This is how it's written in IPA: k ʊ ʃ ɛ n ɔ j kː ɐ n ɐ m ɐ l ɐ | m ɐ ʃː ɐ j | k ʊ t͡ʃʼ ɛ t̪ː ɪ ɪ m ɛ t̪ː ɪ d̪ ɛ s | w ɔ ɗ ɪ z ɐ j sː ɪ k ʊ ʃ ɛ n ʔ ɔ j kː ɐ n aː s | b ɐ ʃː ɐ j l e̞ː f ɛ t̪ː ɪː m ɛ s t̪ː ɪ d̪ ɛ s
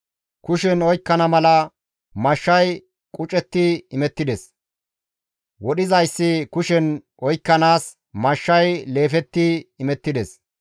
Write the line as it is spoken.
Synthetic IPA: k ʊ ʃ ɛ n ɔ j kː ɐ n ɐ m ɐ l ɐ | m ɐ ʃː ɐ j | kʼ ʊ t͡ʃʼ ɛ t̪ː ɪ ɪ m ɛ t̪ː ɪ d̪ ɛ s | w ɔ ɗ ɪ z ɐ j sː ɪ k ʊ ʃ ɛ n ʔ ɔ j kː ɐ n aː s | m ɐ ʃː ɐ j l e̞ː f ɛ t̪ː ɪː m ɛ t̪ː ɪ d̪ ɛ s